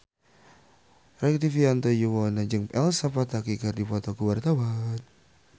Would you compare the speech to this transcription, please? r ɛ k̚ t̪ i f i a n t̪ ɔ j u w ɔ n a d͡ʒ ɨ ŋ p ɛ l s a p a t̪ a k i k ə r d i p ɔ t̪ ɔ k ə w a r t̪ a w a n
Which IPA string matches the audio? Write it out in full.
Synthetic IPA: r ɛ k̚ t̪ i f i a n t̪ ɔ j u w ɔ n a d͡ʒ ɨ ŋ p ɛ l s a p a t̪ a k i k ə r d i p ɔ t̪ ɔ k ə w a r t̪ a w a n